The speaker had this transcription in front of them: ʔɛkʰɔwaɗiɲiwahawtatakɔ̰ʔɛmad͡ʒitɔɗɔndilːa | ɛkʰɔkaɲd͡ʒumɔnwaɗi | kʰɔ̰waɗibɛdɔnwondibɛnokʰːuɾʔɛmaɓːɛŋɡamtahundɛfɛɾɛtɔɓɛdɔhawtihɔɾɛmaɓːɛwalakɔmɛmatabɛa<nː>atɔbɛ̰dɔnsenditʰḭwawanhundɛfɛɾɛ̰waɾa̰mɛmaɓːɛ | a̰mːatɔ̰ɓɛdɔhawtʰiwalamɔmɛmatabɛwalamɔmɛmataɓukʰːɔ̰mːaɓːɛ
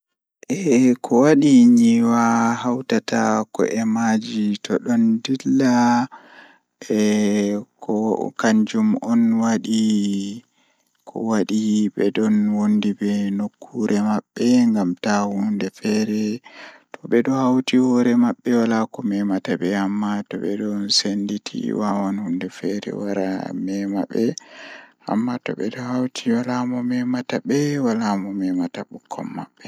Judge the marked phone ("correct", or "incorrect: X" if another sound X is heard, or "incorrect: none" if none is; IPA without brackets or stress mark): incorrect: mː